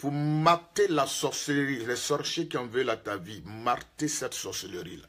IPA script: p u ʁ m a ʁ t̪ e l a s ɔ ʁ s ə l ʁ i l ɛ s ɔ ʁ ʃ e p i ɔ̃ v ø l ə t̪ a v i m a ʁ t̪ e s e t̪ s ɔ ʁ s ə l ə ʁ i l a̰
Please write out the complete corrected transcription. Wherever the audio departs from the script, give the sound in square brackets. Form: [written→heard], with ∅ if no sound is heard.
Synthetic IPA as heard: p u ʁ m a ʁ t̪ e l a s ɔ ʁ s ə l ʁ i l ɛ s ɔ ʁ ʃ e [p→k] i ɔ̃ v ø l [ə→a] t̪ a v i m a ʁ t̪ e s [e→ɛ] t̪ s ɔ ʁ s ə l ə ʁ i l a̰